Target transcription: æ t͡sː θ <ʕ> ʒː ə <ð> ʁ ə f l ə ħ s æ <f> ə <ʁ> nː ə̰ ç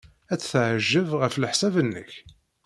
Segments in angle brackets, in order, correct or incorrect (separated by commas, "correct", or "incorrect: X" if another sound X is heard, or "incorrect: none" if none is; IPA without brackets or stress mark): correct, incorrect: v, incorrect: v, incorrect: none